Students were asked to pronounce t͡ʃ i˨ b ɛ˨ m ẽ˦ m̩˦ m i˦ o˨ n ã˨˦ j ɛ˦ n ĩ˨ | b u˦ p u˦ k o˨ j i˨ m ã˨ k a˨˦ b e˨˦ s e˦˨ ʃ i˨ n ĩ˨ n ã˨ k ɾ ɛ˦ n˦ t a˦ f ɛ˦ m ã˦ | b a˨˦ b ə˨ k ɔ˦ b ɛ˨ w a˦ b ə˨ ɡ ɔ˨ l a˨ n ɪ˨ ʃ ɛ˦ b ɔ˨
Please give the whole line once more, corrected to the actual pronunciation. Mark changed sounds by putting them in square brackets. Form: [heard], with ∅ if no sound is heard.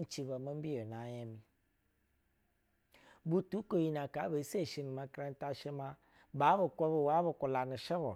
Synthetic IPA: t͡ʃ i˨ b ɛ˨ m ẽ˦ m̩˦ [b] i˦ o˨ n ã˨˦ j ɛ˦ [m] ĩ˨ | b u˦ [t] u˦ k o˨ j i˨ [n] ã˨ k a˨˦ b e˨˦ s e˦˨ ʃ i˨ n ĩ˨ [m] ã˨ k ɾ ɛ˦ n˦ t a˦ [ʃ] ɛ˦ m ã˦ | b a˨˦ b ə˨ k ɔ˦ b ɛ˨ w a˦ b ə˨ [k] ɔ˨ l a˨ n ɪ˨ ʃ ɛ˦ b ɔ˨